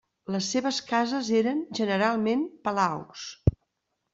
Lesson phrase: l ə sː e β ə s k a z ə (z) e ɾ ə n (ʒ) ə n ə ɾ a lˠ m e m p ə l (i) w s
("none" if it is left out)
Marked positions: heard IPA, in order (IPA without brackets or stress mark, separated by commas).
z, ʒ, a